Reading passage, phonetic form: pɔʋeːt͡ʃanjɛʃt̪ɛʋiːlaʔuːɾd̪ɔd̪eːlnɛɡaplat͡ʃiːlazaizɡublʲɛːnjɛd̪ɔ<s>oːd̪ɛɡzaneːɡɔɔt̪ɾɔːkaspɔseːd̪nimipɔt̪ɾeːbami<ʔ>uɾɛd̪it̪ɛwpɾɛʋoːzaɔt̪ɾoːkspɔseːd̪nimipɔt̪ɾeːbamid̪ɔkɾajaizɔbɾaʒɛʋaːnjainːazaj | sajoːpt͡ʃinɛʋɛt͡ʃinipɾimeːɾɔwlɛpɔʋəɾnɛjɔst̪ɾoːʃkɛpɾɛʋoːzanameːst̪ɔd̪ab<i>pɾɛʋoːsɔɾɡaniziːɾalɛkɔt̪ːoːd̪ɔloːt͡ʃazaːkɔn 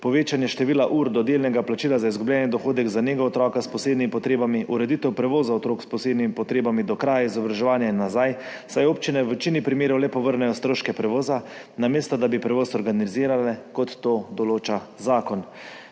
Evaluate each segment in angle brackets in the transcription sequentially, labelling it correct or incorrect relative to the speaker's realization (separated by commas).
incorrect, correct, correct